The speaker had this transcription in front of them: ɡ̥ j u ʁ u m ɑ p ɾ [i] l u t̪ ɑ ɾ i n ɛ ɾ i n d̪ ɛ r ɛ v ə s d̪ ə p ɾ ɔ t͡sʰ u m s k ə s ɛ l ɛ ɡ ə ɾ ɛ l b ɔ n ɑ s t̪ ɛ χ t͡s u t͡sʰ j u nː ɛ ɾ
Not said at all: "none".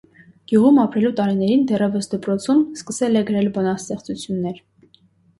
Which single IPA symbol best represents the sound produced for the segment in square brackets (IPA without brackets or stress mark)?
ɛ